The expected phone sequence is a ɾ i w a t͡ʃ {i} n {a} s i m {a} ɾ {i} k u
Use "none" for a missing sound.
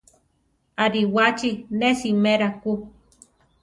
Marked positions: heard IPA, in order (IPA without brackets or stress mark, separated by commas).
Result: i, e, e, a